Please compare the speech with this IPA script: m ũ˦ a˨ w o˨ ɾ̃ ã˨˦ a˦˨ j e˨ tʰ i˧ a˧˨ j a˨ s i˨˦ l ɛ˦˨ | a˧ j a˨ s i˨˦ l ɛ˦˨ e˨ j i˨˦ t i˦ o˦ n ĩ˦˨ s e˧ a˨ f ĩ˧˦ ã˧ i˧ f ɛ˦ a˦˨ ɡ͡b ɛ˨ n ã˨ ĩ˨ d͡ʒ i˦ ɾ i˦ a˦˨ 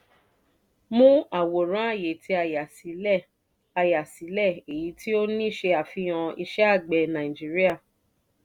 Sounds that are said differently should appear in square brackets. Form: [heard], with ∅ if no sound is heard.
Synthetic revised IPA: m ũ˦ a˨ w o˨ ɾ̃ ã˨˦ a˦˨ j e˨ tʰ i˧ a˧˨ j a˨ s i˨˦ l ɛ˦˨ | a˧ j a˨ s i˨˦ l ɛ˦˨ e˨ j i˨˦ t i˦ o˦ n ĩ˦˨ [ʃ] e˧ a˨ f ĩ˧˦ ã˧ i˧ [ʃ] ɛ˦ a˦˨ ɡ͡b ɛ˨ n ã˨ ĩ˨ d͡ʒ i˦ ɾ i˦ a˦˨